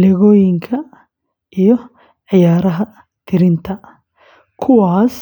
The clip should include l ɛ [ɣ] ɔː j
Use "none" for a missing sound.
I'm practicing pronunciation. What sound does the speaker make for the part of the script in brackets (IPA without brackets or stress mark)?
ɣ